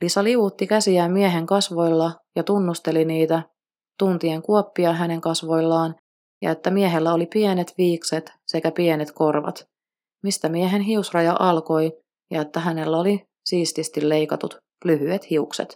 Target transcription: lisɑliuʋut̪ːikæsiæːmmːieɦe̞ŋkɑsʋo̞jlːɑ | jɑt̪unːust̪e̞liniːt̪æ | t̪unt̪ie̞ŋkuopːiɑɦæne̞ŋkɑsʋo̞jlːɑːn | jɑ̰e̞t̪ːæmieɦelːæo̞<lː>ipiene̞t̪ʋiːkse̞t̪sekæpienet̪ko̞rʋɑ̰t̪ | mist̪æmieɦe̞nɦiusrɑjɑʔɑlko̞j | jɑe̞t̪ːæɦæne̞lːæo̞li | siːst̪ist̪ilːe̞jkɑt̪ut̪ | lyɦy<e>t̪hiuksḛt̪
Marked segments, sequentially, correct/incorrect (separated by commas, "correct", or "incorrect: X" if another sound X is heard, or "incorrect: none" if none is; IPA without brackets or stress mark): incorrect: l, correct